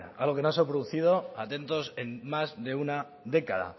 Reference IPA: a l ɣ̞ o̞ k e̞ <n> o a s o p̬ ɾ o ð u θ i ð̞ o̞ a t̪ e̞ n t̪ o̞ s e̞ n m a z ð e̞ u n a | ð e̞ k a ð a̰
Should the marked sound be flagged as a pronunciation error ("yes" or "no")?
no